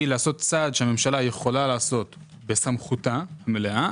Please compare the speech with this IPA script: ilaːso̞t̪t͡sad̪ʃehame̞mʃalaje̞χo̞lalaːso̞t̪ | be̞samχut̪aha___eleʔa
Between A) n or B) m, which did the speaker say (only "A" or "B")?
B